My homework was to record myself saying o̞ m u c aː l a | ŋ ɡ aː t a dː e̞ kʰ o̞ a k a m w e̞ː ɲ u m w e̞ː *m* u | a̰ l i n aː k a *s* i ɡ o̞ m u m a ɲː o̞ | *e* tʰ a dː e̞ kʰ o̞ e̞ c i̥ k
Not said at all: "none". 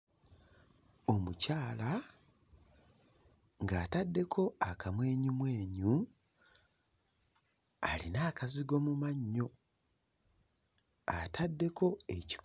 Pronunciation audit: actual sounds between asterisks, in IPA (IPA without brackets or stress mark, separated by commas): ɲ, z, a